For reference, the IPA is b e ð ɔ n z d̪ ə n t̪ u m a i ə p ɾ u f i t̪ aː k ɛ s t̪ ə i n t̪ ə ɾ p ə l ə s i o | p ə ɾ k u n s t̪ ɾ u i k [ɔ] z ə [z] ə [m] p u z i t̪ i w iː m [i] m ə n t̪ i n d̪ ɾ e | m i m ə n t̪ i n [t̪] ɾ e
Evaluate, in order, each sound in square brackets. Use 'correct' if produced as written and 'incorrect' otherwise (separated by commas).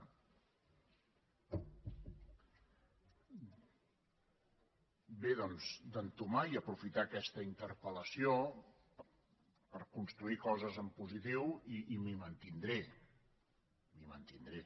correct, correct, correct, correct, incorrect